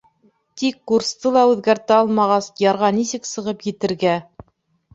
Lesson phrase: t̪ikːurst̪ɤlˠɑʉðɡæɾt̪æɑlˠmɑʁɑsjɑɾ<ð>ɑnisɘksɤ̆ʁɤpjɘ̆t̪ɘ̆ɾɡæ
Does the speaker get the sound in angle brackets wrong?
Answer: yes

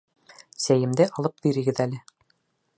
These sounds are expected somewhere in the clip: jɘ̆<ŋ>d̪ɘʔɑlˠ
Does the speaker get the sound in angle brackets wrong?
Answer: yes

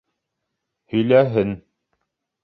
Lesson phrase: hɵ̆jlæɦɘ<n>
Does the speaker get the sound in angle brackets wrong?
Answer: no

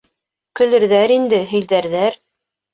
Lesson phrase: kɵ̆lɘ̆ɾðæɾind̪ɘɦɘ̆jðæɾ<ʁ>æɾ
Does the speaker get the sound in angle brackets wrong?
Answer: yes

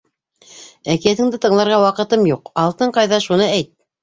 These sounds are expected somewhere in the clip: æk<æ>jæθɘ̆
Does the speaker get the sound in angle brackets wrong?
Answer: yes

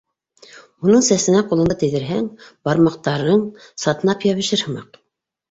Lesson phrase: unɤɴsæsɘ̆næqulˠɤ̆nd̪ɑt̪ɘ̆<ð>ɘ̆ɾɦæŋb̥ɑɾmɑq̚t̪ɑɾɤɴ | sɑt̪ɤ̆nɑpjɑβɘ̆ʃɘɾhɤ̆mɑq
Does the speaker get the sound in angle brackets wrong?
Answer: no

